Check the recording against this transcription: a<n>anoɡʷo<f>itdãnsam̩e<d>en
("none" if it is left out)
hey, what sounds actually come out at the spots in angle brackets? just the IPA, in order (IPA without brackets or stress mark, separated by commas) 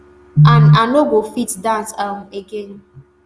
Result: n, f, ɡ